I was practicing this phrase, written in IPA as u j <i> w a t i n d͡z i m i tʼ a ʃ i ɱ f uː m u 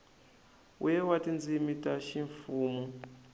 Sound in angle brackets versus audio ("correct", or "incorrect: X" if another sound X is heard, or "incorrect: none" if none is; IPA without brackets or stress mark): incorrect: ɛ